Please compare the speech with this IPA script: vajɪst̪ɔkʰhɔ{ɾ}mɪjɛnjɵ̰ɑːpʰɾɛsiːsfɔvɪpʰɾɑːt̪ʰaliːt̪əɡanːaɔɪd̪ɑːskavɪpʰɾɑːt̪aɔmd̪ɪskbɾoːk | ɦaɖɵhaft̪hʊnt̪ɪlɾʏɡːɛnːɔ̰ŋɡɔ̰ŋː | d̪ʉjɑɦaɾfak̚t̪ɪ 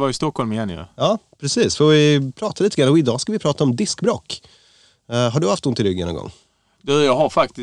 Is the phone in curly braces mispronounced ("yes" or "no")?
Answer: yes